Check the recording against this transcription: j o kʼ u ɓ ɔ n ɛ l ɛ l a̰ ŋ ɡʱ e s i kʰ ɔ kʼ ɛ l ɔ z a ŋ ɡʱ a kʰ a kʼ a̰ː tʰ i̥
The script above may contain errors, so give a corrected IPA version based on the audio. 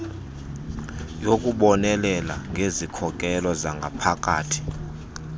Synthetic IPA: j o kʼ u ɓ ɔ n ɛ l ɛ l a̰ ŋ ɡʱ e z i kʰ ɔ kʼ ɛ l ɔ z a ŋ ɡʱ a pʰ a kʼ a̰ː tʰ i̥